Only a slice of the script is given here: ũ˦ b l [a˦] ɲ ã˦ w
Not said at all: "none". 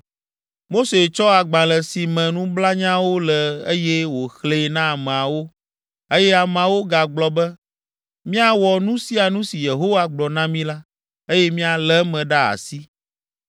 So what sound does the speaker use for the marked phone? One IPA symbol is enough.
a˦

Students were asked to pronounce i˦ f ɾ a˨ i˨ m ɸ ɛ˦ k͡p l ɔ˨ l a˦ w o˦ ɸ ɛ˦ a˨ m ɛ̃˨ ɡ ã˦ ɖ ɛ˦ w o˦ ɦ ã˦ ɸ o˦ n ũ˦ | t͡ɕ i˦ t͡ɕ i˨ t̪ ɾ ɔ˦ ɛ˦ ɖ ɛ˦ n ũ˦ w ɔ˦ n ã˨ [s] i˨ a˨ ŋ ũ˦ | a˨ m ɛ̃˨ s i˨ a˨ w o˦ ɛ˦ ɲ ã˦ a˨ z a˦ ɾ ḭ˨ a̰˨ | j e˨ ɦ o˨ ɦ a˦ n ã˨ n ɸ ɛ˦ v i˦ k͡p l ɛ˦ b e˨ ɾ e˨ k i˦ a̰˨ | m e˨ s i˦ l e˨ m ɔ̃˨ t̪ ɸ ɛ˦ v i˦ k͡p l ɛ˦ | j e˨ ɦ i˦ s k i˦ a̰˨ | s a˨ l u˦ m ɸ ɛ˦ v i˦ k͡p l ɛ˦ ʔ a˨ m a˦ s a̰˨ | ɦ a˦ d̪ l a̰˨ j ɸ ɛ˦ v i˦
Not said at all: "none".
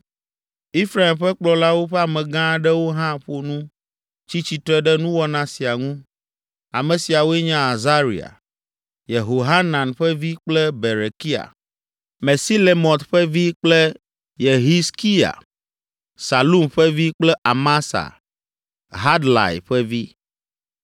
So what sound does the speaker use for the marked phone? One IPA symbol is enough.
s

